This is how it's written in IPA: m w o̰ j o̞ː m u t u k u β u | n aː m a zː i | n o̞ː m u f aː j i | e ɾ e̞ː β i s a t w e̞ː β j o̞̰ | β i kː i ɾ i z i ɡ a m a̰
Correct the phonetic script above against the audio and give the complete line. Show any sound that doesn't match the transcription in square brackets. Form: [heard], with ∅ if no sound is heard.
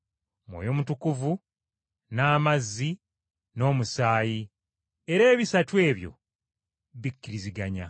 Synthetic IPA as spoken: m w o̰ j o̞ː m u t u k u [v] u | n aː m a zː i | n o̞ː m u [s] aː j i | e ɾ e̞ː β i s a t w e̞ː β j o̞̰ | β i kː i ɾ i z i ɡ a [ɲ] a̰